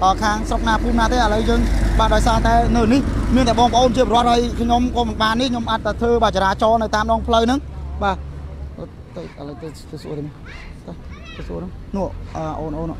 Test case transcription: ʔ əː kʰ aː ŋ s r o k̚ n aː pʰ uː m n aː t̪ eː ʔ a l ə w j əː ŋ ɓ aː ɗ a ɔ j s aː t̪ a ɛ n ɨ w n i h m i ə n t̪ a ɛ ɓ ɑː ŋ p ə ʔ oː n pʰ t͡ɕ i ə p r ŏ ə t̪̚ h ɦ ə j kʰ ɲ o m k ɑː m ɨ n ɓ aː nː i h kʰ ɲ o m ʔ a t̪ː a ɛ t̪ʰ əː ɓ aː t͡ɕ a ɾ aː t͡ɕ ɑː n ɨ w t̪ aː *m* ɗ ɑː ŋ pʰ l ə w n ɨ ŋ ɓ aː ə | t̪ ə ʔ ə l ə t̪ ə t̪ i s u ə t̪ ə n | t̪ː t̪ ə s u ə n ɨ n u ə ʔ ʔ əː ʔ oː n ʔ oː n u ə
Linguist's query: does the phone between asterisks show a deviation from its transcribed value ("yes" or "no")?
no